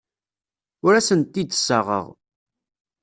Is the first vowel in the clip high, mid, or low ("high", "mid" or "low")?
high